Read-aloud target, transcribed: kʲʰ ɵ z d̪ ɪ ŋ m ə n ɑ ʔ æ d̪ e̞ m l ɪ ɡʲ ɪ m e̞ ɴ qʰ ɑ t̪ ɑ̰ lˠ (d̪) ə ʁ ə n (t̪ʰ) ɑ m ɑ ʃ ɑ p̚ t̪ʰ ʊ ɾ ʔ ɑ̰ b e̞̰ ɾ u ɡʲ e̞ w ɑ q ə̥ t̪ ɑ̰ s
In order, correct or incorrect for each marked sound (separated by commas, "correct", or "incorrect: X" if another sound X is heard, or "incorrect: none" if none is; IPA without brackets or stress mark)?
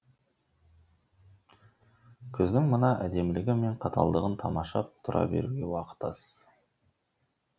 correct, correct